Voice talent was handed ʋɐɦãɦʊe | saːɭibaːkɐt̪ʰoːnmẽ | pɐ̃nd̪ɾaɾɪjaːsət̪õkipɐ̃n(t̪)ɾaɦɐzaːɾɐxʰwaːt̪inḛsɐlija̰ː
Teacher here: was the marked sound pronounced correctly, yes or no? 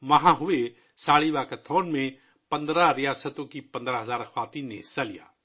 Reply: no